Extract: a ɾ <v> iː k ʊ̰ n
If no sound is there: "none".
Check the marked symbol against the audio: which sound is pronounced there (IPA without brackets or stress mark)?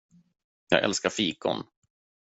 f